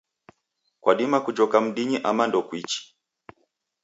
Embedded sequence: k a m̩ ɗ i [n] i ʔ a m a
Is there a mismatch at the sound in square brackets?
yes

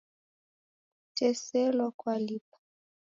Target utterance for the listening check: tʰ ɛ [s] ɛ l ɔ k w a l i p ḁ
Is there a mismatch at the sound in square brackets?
no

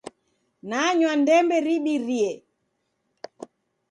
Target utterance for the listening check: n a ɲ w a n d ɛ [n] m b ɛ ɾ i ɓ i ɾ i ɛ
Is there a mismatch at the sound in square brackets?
yes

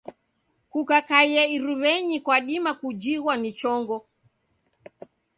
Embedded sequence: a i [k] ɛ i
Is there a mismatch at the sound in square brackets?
yes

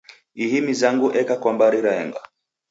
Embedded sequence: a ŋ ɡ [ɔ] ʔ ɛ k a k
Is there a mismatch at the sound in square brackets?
yes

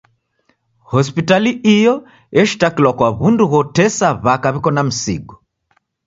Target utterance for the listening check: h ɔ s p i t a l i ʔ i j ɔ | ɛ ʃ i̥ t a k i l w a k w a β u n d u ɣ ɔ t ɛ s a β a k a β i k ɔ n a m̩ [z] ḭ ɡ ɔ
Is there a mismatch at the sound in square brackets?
yes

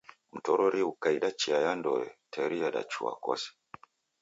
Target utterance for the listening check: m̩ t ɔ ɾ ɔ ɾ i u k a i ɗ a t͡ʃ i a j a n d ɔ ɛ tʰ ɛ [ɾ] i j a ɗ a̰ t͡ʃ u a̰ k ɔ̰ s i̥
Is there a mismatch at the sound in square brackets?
no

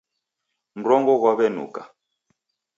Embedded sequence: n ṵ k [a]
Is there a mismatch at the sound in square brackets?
no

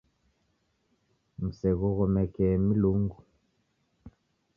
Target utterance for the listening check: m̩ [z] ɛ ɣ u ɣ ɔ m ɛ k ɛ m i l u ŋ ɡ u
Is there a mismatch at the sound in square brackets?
yes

